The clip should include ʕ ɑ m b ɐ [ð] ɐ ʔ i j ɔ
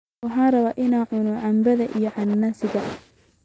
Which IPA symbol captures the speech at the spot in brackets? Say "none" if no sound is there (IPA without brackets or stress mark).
ð